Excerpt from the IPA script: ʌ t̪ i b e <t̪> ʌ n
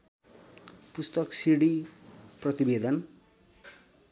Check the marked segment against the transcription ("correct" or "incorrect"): incorrect